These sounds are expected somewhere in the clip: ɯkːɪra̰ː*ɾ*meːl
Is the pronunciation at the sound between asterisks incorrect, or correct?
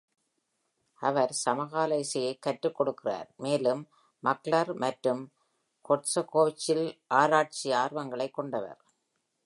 correct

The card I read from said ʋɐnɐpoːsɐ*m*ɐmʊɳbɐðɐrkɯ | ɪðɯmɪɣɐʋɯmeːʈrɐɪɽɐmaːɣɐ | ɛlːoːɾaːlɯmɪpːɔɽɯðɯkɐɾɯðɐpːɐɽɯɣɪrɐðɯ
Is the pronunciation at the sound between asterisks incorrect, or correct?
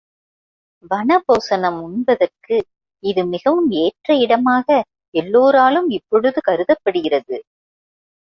incorrect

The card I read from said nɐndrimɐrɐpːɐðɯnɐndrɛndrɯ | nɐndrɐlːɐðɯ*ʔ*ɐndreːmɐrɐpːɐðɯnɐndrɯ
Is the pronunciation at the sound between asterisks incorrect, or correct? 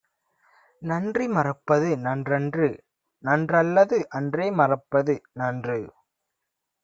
correct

